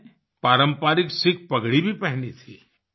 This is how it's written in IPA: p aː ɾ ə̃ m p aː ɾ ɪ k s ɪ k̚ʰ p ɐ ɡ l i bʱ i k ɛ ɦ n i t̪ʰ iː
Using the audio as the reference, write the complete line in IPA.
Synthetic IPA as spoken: p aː ɾ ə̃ m p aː ɾ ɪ k s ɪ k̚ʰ p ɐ ɡ ɽ i bʱ i p ɛ ɦ n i t̪ʰ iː